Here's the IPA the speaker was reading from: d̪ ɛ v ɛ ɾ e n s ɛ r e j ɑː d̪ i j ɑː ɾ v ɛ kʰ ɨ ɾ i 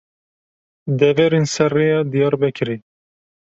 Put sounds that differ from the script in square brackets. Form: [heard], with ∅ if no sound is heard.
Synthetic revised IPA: d̪ ɛ v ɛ ɾ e n s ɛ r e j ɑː d̪ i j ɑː ɾ [b] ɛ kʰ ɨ ɾ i